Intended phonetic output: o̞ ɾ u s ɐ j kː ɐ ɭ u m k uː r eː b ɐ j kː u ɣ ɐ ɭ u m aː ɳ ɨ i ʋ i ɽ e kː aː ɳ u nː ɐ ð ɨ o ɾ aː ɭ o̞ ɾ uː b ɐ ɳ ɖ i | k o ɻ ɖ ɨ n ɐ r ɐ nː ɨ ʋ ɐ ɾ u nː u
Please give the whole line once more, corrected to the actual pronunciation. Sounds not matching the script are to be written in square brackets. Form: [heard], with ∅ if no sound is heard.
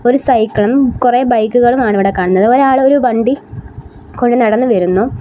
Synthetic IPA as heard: o̞ ɾ u s ɐ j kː ɐ ɭ u m k [u] r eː b ɐ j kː u ɣ ɐ ɭ u m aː ɳ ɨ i ʋ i ɽ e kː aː ɳ u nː ɐ ð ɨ o ɾ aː ɭ o̞ ɾ [u] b ɐ ɳ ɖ i | k o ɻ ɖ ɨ n ɐ [ɽ] ɐ nː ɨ ʋ ɐ ɾ u nː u